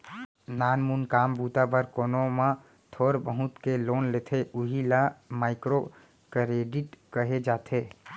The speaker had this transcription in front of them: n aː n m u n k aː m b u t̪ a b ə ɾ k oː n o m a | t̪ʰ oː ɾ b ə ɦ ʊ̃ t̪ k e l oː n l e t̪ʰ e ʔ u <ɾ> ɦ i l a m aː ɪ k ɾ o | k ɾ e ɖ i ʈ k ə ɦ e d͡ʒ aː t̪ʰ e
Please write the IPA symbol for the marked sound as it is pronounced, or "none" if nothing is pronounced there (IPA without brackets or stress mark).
none